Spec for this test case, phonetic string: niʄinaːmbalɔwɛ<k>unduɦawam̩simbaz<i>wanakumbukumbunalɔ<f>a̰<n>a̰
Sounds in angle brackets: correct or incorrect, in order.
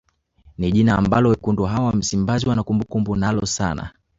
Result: correct, correct, incorrect, correct

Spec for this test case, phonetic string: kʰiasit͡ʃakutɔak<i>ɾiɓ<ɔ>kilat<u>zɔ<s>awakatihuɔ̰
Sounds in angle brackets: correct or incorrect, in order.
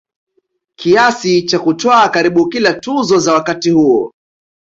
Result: incorrect, incorrect, correct, incorrect

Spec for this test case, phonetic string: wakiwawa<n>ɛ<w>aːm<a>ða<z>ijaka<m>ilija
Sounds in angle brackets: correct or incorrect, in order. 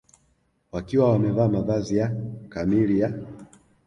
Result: incorrect, incorrect, correct, correct, correct

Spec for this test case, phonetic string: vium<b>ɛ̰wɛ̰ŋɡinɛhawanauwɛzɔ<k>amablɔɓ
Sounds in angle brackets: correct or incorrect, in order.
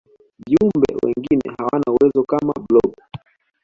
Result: correct, correct

